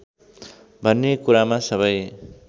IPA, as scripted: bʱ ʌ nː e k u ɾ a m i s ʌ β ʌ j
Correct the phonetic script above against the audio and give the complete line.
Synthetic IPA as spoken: bʱ ʌ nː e k u ɾ a m a s ʌ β ʌ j